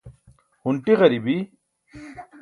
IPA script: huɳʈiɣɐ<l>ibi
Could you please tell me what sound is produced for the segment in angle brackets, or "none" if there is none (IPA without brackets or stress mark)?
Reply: ɾ